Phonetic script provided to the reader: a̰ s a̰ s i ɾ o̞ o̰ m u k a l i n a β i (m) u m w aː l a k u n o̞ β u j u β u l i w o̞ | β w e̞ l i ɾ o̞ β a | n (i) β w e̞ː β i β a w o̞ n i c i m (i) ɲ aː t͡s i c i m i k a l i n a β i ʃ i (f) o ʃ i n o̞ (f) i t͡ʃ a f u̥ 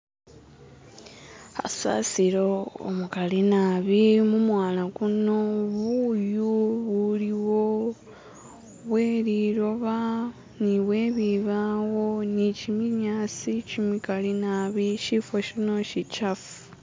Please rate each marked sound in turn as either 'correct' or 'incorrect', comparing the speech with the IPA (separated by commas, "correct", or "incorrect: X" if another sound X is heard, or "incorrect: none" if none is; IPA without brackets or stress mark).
correct, correct, correct, correct, incorrect: ʃ